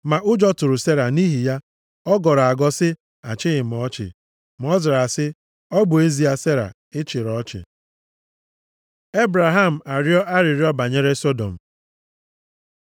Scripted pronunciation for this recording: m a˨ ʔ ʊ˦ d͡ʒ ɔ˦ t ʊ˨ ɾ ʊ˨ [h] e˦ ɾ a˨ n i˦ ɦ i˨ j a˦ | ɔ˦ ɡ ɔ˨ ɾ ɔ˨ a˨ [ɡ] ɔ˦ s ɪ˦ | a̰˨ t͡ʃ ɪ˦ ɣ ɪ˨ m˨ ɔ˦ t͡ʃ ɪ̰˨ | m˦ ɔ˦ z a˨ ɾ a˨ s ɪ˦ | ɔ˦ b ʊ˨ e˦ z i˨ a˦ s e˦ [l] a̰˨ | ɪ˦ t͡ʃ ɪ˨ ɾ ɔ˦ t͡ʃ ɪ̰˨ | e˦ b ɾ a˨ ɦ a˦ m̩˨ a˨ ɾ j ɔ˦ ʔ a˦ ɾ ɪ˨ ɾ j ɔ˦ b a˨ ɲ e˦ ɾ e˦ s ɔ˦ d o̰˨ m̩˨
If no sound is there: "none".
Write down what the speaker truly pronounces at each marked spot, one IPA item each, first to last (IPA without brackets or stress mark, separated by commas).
s, ɡ, ɾ